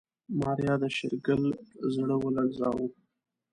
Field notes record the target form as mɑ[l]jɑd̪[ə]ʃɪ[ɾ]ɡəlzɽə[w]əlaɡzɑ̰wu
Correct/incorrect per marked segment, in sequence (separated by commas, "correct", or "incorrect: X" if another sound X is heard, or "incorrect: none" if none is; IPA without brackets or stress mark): incorrect: ɾ, correct, correct, correct